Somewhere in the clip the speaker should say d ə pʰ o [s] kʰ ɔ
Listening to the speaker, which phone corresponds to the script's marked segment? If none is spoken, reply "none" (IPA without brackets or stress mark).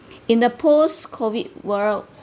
s